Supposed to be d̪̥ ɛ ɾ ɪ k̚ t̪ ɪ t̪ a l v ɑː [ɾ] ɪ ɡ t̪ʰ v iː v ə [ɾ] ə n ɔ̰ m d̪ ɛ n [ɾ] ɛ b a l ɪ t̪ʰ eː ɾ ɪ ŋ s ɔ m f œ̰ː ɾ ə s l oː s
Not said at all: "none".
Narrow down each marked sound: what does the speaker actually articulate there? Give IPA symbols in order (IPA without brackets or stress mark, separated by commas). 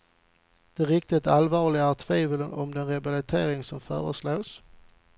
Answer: ɭ, l, ɾ